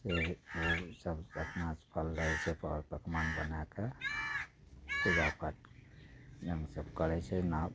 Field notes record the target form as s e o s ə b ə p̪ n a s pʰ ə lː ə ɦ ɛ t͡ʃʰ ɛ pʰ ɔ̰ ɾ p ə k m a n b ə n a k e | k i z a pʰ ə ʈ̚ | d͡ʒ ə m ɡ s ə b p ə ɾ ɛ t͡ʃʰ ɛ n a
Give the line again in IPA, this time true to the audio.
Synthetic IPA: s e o s ə b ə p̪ n a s pʰ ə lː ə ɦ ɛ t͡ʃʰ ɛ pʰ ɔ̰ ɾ p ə k m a n b ə n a k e | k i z a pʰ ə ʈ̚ | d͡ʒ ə ŋ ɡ s ə b k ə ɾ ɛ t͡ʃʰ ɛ n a